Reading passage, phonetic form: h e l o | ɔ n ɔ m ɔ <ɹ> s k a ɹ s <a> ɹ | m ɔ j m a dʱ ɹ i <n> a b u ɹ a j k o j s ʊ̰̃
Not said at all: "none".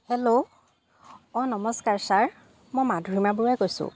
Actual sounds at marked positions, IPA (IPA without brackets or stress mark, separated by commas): none, a, m